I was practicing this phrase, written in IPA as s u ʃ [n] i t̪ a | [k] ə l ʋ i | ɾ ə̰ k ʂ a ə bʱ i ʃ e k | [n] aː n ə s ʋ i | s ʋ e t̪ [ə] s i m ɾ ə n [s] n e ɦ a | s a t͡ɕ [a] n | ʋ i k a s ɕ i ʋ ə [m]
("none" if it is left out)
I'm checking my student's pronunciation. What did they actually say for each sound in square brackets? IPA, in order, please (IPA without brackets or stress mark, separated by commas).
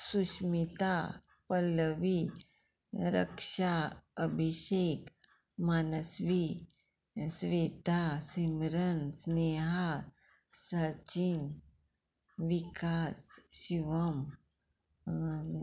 m, p, m, a, s, i, m